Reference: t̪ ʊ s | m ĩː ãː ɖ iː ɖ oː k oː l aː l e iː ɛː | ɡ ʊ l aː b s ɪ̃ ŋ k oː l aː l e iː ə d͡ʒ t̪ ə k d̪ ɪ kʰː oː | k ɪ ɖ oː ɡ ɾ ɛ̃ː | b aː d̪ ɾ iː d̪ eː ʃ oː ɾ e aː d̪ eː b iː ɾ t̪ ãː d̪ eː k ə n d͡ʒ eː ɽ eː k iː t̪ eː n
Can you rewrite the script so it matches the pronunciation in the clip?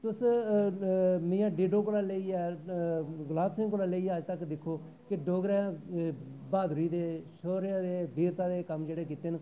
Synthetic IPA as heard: t̪ ʊ s | m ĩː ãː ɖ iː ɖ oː k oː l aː l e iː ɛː | ɡ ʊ l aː b s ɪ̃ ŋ k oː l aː l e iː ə d͡ʒ t̪ ə k d̪ ɪ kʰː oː | k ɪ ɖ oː ɡ ɾ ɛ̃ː | b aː d̪ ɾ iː d̪ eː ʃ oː ɾ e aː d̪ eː b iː ɾ t̪ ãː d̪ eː k ə m d͡ʒ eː ɽ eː k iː t̪ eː n